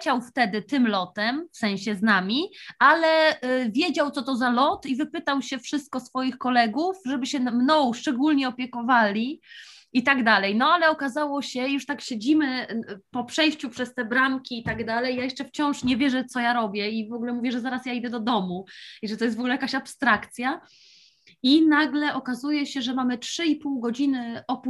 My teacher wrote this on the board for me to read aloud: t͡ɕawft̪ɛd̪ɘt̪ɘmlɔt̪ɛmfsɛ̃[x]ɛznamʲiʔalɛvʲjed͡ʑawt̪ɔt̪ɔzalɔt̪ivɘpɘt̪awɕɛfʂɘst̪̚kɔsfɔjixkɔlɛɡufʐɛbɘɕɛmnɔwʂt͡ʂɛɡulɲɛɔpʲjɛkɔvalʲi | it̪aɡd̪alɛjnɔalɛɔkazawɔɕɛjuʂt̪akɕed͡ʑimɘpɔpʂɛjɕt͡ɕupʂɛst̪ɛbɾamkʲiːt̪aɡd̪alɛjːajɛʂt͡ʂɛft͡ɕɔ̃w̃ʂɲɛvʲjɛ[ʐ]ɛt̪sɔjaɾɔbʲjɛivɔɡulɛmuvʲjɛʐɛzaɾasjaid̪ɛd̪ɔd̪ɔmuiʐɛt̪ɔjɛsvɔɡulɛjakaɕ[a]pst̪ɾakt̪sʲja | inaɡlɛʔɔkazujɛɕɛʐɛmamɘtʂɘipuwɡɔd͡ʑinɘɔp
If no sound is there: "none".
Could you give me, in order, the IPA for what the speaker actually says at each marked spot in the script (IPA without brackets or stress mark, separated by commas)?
ɕ, ʐ, a